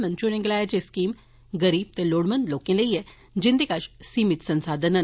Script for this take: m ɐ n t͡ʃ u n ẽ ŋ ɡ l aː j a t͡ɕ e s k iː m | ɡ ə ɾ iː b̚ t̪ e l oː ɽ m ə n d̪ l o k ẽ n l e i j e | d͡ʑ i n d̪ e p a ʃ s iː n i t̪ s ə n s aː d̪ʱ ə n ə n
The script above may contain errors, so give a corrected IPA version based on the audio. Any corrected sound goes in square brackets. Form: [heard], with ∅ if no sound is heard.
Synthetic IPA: m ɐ n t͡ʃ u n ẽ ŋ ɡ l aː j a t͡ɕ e s k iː m | ɡ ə ɾ iː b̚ t̪ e l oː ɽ m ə n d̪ l o k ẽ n l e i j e | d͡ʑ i n d̪ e [k] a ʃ s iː [m] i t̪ s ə n s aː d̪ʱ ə n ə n